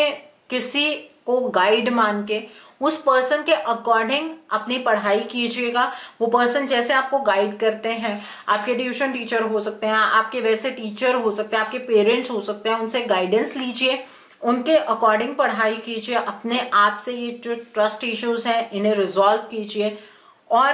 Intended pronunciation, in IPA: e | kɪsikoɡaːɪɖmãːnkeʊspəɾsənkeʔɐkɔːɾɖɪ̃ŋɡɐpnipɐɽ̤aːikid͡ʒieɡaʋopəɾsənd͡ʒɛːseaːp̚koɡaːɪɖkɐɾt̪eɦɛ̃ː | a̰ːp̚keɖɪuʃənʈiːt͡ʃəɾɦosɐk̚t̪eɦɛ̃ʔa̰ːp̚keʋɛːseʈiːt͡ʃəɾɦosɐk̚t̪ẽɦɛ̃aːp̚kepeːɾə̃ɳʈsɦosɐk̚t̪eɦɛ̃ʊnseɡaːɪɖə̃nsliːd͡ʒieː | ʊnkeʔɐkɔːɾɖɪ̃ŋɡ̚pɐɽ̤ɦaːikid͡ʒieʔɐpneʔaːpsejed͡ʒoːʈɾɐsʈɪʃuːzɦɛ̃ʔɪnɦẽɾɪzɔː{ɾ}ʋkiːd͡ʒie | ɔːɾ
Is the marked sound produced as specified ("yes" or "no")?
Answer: no